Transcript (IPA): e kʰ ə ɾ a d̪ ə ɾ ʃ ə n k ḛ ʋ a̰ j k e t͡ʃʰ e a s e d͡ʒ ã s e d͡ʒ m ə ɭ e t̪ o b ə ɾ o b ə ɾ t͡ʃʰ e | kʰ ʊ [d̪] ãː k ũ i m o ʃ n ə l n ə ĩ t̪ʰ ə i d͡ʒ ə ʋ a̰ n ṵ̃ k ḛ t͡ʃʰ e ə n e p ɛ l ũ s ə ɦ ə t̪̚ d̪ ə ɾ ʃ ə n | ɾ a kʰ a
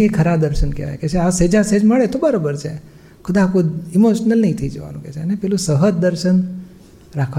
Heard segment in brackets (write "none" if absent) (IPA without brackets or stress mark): d̪